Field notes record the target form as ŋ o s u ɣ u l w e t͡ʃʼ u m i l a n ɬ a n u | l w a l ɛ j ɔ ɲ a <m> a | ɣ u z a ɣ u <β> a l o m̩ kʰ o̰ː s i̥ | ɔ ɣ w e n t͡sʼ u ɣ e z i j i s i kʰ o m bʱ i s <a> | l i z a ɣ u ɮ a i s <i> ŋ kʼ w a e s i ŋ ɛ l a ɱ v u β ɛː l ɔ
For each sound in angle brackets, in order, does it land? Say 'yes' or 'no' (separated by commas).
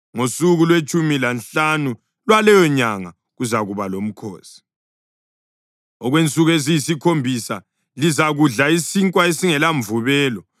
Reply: no, yes, yes, yes